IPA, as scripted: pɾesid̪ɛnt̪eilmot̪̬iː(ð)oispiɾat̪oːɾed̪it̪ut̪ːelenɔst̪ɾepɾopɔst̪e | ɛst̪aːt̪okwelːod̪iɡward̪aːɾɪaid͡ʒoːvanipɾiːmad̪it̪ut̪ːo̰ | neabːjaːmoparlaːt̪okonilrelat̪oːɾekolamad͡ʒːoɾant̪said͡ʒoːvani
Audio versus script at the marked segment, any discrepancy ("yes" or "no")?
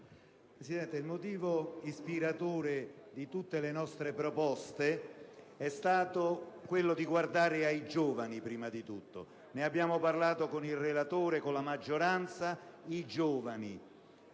yes